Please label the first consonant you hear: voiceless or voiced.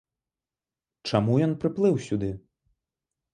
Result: voiceless